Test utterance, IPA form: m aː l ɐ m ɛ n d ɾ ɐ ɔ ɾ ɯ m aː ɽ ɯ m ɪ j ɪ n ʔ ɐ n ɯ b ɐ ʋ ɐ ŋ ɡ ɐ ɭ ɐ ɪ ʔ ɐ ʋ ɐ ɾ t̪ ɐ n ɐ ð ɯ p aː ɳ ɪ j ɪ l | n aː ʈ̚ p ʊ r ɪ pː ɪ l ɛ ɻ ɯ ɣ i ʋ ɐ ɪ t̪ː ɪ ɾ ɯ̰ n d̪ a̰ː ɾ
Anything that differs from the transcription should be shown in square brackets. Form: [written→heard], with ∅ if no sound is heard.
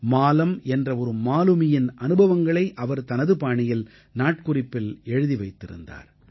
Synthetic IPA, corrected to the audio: m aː l ɐ m ɛ n d [ɾ→r] ɐ ɔ ɾ ɯ m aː [ɽ→l] ɯ m ɪ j ɪ n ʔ ɐ n ɯ b ɐ ʋ ɐ ŋ ɡ ɐ ɭ ɐ ɪ ʔ ɐ ʋ ɐ ɾ t̪ ɐ n ɐ ð ɯ p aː ɳ ɪ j ɪ l | n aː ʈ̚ [p→k] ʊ r ɪ pː ɪ l ɛ ɻ ɯ [ɣ→ð] i ʋ ɐ ɪ t̪ː ɪ ɾ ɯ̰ n d̪ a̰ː ɾ